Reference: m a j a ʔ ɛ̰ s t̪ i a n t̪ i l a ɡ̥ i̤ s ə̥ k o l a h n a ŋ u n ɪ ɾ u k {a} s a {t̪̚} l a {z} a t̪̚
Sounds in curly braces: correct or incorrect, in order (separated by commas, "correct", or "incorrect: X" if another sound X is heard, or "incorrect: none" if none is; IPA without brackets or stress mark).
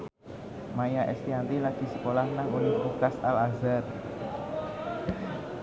correct, incorrect: none, correct